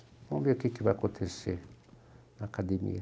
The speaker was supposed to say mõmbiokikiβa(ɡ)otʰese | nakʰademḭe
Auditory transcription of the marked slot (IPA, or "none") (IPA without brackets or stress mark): k